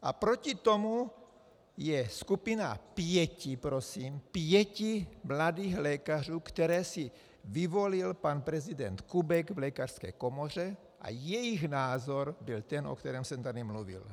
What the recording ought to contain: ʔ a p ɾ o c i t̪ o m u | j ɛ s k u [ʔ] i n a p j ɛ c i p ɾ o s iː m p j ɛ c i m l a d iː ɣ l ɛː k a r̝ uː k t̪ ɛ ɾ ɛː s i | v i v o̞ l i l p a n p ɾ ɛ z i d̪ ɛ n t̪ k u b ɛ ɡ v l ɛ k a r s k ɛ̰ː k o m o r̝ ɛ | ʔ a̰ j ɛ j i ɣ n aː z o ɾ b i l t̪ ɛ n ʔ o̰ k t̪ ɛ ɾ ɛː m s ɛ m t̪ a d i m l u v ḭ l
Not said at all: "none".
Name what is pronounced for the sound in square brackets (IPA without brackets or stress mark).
p